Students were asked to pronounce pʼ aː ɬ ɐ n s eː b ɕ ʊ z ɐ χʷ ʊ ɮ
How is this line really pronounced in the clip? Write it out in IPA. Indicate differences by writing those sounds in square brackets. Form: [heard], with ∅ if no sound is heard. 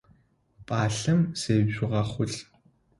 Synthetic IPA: pʼ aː ɬ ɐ [m] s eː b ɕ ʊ [ʁ] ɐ χʷ ʊ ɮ